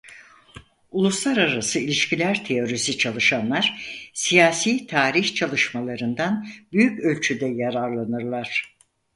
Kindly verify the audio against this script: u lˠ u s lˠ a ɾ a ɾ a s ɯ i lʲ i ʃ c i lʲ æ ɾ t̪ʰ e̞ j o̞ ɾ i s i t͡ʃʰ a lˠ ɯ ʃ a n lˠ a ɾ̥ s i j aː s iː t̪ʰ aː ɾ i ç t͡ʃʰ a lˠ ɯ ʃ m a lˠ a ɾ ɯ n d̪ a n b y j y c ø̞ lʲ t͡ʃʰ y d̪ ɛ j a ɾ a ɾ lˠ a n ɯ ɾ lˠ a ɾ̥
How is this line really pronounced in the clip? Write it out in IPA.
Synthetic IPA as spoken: u lˠ u s lˠ a ɾ a ɾ a s ɯ i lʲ i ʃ c i lʲ æ ɾ t̪ʰ e̞ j o̞ ɾ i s i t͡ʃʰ a lˠ ɯ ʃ a n lˠ a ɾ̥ s i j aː s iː t̪ʰ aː ɾ i ç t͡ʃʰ a lˠ ɯ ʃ m a lˠ a ɾ ɯ n d̪ a n b y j y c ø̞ lʲ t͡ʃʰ y d̪ ɛ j a ɾ a ɾ lˠ a n ɯ ɾ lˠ a ɾ̥